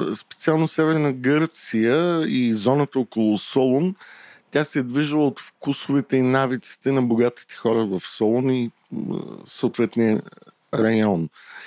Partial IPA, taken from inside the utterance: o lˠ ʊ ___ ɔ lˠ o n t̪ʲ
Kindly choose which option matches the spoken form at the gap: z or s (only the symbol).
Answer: s